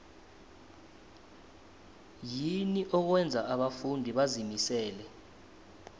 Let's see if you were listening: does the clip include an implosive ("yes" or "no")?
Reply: yes